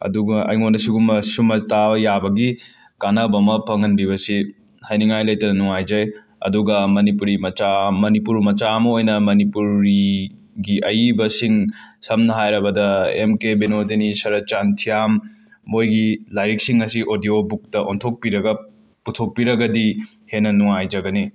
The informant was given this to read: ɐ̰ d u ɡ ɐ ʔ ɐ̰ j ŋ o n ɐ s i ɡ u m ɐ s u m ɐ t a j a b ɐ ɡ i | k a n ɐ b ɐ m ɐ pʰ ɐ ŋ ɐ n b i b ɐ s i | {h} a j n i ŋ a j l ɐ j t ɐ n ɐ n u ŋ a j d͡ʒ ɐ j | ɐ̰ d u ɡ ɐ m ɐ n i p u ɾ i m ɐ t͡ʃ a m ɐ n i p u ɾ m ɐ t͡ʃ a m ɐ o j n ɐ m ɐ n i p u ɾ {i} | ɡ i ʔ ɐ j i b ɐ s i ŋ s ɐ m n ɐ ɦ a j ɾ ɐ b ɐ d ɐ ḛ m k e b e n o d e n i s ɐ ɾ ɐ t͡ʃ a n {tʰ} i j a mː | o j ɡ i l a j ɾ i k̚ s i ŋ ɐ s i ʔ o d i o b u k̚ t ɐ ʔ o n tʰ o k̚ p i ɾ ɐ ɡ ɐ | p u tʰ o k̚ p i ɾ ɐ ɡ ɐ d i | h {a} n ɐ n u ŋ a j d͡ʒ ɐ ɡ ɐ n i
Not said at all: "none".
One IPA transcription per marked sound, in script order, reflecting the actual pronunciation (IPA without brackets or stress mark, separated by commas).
h, i, tʰ, e